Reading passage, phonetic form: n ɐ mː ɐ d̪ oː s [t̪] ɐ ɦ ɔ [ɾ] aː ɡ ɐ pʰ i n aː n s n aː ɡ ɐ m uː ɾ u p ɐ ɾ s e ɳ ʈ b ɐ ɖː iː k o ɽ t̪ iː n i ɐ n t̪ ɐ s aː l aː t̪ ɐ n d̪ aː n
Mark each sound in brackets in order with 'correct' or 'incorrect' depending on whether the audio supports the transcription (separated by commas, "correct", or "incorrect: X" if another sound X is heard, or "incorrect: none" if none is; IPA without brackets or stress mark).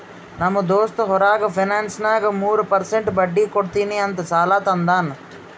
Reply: correct, correct